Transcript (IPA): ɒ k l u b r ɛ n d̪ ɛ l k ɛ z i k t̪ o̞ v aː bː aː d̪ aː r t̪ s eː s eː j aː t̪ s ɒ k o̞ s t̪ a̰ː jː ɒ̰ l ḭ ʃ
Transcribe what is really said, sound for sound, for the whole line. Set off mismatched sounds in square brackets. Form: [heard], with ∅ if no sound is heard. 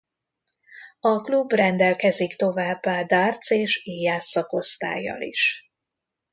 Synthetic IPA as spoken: ɒ k l u b r ɛ n d̪ ɛ l k ɛ z i k t̪ o̞ v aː bː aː d̪ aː r t̪ s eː [ʃ] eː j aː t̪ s ɒ k o̞ s t̪ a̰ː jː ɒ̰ l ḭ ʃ